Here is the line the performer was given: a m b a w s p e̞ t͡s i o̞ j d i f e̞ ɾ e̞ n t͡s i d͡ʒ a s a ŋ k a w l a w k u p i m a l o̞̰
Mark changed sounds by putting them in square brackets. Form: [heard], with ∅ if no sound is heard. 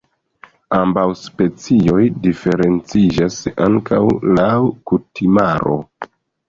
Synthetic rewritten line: a m b a w s p e̞ t͡s i o̞ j d i f e̞ ɾ e̞ n t͡s i d͡ʒ a s a ŋ k a w l a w k u [t] i m a [ɾ] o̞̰